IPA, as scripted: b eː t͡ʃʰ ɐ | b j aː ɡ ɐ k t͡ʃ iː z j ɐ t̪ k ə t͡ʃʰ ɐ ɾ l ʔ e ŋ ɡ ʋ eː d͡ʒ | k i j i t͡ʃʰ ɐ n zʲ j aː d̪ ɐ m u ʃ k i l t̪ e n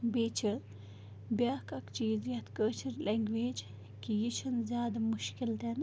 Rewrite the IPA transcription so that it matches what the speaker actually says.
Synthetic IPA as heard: b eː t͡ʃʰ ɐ | b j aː k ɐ k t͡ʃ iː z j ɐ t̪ k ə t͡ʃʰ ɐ ɾ l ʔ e ŋ ɡ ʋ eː d͡ʒ | k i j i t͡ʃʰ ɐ n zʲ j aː d̪ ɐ m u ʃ k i l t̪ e n